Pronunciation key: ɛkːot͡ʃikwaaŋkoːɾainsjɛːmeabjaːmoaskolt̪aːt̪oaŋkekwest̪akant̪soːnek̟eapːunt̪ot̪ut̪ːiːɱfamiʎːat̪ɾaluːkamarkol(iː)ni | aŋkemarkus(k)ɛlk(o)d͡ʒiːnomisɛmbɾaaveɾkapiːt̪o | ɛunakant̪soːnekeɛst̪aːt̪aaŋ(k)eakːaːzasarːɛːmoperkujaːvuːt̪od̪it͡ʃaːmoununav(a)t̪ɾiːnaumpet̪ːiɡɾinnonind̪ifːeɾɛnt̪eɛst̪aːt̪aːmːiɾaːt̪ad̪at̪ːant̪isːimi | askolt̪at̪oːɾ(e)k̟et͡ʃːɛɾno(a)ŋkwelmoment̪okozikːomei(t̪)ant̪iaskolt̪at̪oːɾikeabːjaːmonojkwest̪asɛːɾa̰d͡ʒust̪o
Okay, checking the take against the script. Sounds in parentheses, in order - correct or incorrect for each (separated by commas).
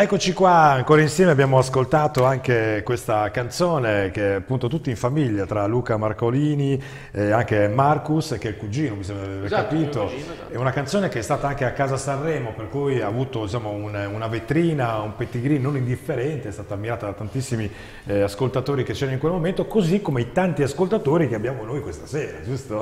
correct, correct, incorrect, correct, incorrect, incorrect, incorrect, correct